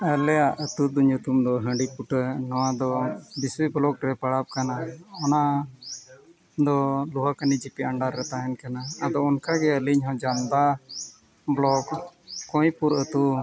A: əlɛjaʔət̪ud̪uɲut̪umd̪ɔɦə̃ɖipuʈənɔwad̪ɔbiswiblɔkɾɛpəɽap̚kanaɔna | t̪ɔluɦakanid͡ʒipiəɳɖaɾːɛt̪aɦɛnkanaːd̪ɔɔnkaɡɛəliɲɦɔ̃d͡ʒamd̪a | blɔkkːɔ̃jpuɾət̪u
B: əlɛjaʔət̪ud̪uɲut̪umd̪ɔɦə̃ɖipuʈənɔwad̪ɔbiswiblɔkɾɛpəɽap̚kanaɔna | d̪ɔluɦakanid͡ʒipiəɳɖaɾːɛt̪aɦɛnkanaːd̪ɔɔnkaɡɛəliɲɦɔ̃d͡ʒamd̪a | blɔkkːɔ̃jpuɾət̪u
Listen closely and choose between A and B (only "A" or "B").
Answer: B